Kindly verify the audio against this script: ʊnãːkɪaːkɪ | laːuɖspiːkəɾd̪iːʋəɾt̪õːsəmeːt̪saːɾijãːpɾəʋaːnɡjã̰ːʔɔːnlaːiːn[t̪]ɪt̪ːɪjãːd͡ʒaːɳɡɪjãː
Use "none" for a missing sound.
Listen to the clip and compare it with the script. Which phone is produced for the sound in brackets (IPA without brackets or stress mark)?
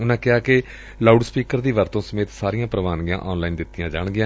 d̪